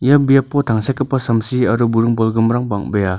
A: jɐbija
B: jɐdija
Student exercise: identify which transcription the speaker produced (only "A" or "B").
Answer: A